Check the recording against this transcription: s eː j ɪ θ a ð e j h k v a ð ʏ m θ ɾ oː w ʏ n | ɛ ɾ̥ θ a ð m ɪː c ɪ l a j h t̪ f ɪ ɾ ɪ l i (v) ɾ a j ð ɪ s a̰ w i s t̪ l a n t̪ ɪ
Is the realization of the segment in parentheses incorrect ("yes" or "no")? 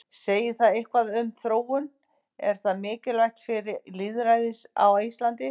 yes